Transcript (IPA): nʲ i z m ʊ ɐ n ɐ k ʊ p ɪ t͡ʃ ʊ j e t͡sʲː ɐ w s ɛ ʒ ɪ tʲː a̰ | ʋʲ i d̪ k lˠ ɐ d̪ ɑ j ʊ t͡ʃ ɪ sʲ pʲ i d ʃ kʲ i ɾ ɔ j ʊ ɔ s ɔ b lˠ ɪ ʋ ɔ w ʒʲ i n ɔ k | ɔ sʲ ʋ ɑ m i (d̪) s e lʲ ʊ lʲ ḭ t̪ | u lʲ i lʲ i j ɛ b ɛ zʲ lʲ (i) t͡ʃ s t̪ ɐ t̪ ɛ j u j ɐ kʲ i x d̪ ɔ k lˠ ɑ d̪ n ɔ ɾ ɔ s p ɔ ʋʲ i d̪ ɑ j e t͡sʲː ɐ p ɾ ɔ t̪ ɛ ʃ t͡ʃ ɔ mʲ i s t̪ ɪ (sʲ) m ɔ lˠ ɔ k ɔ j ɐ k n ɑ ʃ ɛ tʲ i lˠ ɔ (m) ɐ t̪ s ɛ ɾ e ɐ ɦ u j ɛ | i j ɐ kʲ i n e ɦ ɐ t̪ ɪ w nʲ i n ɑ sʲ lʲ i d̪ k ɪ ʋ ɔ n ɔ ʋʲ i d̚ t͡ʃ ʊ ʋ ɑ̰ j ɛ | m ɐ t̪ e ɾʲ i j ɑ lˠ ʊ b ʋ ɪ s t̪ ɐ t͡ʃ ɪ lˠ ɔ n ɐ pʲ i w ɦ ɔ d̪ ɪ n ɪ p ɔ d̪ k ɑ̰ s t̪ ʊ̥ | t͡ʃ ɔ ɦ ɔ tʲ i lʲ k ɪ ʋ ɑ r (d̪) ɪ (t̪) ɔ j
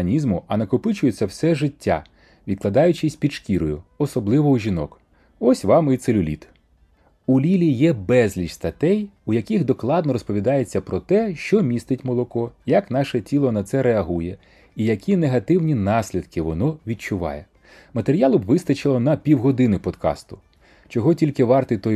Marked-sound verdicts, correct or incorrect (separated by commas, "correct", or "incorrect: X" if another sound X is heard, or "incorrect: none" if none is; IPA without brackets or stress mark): incorrect: t̪, correct, incorrect: tʲ, incorrect: n, incorrect: t̪, correct